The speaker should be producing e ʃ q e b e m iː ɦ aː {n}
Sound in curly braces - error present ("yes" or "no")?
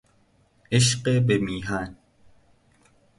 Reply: no